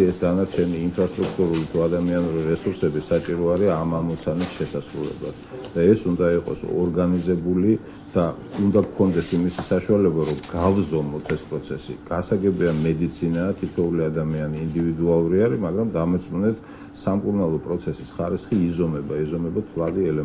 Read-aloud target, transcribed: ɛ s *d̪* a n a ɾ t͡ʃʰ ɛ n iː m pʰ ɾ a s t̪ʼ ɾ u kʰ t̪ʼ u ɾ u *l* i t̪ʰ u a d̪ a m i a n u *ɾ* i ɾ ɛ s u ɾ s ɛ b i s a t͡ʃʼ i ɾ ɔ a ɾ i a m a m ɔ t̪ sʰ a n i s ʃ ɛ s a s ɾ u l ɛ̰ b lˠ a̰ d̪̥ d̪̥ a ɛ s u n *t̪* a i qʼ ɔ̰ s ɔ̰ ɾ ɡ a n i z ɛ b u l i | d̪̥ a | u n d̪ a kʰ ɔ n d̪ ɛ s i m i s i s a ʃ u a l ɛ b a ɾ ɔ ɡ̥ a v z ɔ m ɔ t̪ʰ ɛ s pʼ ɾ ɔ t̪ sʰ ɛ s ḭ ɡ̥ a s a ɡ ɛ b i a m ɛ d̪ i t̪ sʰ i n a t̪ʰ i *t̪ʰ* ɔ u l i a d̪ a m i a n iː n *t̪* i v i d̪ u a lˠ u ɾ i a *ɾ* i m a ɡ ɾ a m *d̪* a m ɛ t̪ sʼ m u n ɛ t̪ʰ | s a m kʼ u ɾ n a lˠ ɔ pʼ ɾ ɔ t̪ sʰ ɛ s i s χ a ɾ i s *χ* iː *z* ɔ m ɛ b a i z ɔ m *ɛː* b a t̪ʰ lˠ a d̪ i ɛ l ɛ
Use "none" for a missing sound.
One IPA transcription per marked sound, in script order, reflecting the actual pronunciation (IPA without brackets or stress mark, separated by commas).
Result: d̪, l, ɾ, d̪, t̪ʰ, d̪, ɾ, d̪, χ, z, ɛ